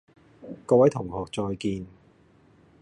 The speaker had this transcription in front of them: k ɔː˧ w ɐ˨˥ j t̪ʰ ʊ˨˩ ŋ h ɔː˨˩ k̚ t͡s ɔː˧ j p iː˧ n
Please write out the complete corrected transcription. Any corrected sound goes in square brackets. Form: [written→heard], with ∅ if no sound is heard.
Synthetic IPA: k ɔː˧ w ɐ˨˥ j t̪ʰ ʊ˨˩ ŋ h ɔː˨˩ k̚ t͡s ɔː˧ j [p→k] iː˧ n